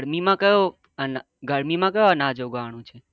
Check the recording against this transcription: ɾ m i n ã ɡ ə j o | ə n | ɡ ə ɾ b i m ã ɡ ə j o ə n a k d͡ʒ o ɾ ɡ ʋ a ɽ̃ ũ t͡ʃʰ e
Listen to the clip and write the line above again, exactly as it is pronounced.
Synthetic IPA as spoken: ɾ m i m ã k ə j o | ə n | ɡ ə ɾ m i m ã k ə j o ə n a d͡ʒ o ɡ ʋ a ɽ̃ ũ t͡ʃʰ e